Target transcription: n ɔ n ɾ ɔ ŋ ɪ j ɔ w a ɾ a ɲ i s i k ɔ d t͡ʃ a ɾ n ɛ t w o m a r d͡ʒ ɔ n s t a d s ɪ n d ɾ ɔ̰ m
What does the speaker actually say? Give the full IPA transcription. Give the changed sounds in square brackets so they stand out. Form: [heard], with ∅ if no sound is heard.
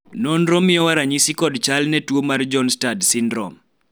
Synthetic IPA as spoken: n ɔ n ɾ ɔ [m] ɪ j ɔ w a ɾ a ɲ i s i k ɔ d t͡ʃ a [l] n ɛ t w o m a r d͡ʒ ɔ n s t a d s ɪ n d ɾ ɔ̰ m